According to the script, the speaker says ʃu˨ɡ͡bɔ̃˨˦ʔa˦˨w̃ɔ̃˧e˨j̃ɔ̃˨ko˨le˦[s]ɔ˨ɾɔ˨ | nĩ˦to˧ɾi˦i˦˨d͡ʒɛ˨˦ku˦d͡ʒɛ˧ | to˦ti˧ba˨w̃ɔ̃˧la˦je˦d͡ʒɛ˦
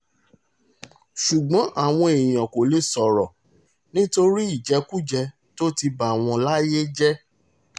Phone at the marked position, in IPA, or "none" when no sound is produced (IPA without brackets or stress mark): s